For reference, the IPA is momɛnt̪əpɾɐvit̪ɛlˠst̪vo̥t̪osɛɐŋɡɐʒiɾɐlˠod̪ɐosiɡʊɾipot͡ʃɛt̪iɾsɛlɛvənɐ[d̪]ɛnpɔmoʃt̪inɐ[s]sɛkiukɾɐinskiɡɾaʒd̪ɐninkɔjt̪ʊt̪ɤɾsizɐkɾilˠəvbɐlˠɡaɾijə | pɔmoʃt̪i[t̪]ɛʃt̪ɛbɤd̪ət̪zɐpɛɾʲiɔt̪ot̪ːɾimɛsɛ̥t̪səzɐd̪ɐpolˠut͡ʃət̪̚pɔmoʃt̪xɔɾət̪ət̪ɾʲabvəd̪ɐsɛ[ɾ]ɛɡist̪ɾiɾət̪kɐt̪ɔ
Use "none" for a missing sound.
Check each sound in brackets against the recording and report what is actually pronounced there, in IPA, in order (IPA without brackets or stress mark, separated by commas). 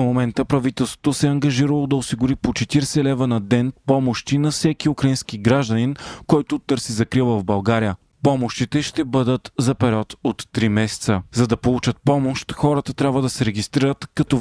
d̪, f, t̪, ɾ